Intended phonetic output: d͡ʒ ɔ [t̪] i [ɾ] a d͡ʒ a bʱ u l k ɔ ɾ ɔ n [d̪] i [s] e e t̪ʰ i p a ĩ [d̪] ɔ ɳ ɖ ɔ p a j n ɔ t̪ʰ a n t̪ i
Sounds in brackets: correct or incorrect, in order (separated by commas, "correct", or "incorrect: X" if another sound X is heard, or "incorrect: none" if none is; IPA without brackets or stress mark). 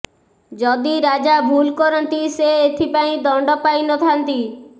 incorrect: d̪, correct, incorrect: t̪, correct, correct